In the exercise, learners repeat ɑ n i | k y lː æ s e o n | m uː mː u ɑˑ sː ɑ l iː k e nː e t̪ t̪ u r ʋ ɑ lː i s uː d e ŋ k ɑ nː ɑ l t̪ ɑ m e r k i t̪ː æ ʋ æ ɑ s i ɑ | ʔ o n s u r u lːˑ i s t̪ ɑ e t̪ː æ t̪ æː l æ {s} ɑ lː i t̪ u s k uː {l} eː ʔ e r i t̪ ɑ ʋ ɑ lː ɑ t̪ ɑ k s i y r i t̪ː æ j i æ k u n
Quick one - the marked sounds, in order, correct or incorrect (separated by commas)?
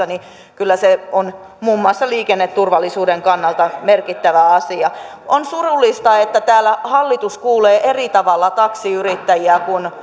incorrect, correct